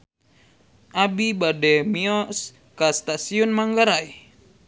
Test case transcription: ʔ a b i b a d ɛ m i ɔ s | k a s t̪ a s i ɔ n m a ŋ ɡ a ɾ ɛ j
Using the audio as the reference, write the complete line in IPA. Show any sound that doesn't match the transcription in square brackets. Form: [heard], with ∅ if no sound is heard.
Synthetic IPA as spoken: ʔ a b i b a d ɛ m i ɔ s | k a s t̪ a s i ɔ n m a ŋ ɡ a ɾ [a] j